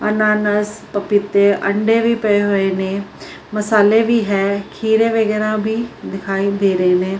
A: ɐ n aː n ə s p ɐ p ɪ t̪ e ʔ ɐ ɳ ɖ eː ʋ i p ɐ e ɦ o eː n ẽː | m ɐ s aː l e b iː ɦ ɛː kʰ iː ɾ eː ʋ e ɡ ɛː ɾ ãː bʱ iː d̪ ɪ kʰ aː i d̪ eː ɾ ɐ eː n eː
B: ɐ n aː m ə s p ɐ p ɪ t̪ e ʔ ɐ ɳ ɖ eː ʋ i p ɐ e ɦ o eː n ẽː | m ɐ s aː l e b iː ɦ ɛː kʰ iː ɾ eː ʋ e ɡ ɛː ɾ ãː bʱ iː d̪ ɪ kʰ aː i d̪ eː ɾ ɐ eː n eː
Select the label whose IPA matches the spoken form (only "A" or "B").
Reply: A